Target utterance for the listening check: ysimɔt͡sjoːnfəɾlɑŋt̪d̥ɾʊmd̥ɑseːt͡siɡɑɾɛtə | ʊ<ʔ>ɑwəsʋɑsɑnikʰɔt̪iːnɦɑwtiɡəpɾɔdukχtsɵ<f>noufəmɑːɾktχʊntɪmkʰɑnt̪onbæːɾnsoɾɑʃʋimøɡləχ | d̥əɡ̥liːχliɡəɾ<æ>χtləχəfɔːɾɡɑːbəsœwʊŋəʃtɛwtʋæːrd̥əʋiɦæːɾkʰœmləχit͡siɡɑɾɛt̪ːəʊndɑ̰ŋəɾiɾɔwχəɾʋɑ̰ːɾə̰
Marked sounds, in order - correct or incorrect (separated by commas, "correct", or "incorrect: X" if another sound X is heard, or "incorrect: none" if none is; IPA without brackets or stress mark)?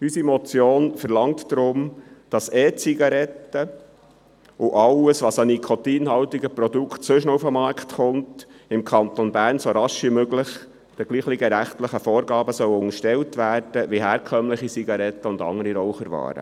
correct, incorrect: ʃ, correct